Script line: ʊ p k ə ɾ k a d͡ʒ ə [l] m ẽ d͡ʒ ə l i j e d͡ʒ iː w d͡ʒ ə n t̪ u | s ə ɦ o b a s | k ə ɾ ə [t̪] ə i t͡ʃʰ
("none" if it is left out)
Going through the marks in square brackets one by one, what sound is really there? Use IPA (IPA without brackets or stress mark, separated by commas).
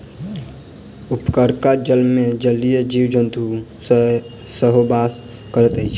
l, t̪